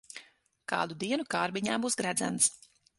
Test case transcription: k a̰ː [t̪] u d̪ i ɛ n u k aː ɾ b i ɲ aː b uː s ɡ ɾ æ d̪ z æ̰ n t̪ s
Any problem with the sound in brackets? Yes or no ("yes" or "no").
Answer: yes